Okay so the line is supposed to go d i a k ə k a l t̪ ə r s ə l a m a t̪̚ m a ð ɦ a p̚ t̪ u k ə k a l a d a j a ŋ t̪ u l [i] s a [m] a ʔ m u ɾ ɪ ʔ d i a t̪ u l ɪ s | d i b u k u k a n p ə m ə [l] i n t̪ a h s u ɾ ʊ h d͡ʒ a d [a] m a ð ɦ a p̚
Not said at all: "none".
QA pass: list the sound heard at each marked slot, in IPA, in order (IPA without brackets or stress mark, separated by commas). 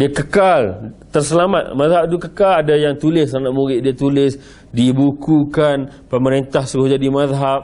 ɪ, n, ɾ, i